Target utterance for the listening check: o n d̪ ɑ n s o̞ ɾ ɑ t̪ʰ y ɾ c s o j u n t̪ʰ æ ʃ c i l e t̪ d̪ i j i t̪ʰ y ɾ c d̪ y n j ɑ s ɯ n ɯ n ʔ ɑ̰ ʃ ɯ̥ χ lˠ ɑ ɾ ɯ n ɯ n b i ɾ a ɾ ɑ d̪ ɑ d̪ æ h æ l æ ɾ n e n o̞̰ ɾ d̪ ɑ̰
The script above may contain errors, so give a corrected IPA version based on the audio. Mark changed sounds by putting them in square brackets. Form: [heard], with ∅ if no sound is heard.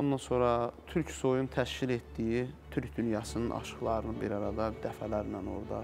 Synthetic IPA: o n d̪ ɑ n s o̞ ɾ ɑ t̪ʰ y ɾ c s o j u n t̪ʰ æ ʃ c i l e t̪ d̪ i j i t̪ʰ y ɾ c d̪ y n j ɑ s ɯ n ɯ n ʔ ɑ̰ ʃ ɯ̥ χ lˠ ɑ ɾ ɯ n ɯ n b i ɾ [ɑ] ɾ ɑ d̪ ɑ d̪ æ [f] æ l æ ɾ n [æ] n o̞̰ ɾ d̪ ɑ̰